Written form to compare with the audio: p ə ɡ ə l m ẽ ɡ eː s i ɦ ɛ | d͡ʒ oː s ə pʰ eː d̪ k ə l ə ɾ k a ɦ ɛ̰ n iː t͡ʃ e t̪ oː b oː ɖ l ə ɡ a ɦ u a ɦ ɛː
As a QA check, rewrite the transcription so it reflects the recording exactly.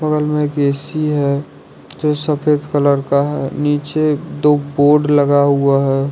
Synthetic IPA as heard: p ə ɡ ə l m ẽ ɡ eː s i ɦ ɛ | d͡ʒ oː s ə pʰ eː d̪ k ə l ə ɾ k a ɦ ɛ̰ n iː t͡ʃ e d̪ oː b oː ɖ l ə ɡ a ɦ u a ɦ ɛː